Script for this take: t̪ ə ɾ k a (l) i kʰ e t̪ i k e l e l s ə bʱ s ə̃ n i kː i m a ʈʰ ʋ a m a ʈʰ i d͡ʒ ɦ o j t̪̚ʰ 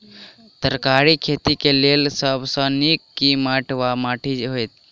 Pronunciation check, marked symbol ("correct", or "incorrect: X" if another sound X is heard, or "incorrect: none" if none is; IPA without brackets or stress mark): incorrect: ɾ